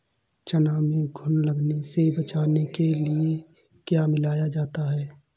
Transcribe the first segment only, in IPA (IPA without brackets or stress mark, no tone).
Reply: t͡ʃ